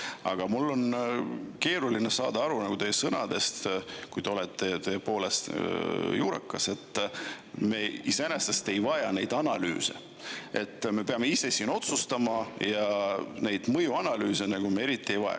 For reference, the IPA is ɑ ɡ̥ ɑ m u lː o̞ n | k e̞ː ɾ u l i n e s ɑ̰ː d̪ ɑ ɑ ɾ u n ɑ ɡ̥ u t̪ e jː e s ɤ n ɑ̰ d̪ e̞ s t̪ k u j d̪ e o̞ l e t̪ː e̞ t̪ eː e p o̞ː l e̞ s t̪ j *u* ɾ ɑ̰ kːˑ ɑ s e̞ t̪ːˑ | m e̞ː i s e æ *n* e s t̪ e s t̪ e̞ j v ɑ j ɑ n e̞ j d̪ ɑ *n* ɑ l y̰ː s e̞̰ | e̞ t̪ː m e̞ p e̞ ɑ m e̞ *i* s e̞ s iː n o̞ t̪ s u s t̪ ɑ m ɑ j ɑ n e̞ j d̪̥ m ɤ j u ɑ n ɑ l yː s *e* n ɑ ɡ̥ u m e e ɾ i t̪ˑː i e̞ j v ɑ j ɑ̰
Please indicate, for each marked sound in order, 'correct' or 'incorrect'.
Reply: incorrect: uː, correct, correct, correct, correct

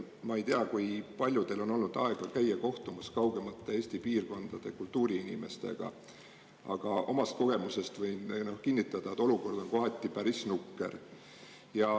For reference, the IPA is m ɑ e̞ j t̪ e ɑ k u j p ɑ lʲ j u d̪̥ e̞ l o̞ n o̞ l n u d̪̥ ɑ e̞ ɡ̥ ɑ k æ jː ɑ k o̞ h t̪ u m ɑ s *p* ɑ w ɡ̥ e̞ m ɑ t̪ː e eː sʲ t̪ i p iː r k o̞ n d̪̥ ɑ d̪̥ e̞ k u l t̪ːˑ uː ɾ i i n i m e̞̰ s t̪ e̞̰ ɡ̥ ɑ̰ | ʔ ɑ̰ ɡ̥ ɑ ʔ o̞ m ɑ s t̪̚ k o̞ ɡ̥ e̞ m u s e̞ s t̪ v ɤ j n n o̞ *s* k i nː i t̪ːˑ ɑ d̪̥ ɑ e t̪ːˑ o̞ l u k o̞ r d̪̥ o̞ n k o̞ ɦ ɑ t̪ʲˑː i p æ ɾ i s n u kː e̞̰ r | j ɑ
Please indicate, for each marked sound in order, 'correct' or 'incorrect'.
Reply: incorrect: k, incorrect: h

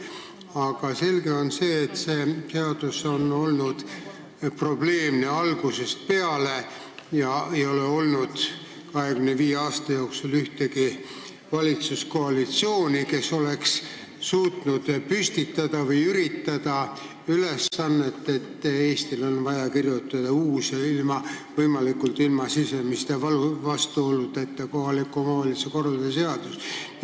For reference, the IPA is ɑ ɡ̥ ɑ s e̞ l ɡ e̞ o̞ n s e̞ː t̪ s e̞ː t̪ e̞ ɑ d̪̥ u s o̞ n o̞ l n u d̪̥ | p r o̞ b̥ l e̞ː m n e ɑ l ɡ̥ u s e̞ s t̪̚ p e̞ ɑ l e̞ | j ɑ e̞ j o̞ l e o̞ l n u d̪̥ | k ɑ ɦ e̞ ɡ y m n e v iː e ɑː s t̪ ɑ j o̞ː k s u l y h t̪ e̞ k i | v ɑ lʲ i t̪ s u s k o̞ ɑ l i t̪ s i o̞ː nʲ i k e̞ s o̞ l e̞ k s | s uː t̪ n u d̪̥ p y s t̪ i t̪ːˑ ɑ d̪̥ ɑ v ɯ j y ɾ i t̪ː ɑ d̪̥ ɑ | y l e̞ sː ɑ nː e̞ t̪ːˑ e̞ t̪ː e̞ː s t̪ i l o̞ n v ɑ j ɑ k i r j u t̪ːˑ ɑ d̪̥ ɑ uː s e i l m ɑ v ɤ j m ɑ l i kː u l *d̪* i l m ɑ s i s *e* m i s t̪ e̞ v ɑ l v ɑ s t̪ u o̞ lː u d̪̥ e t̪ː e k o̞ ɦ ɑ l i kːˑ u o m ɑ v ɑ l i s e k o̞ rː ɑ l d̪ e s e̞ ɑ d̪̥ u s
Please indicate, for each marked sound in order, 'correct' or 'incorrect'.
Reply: incorrect: t̪, correct

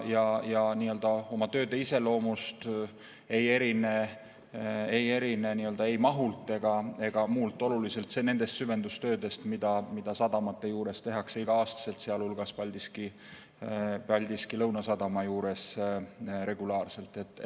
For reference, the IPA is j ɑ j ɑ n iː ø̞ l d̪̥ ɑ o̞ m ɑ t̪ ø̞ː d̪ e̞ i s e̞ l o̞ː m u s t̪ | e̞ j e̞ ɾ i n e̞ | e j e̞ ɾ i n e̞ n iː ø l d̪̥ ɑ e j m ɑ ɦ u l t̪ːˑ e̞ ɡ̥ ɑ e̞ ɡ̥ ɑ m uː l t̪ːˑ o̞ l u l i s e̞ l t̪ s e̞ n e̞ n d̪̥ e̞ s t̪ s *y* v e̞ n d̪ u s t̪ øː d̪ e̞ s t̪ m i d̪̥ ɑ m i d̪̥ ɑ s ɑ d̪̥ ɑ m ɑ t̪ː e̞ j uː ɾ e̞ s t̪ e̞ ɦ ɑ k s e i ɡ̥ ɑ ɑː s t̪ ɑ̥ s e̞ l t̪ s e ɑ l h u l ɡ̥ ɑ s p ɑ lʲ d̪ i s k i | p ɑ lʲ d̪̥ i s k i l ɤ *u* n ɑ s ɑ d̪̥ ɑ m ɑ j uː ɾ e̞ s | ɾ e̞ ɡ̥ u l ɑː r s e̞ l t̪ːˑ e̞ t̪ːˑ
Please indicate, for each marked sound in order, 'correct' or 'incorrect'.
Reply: correct, incorrect: w

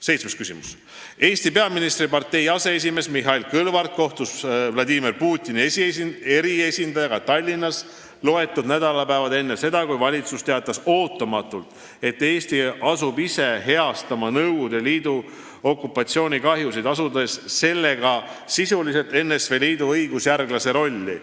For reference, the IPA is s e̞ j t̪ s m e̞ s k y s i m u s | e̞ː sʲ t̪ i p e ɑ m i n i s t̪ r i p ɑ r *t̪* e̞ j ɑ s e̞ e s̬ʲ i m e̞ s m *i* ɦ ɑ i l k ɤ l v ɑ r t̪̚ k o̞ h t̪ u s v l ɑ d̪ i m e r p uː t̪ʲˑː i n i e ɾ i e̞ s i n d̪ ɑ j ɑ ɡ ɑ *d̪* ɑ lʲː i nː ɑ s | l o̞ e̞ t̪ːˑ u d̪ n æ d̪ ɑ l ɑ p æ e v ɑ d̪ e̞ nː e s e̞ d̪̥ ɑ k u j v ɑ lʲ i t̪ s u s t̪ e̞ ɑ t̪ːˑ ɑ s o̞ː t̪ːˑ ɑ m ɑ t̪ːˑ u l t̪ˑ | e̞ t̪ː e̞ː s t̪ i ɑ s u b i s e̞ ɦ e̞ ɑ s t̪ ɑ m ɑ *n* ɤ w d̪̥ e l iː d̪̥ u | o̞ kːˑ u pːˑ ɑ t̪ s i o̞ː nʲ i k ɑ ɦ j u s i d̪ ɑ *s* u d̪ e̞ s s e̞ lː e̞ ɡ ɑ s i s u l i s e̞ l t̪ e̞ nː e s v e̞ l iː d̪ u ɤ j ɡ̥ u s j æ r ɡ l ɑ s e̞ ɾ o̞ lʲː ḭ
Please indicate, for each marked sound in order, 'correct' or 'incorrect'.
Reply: correct, correct, incorrect: t̪, correct, correct

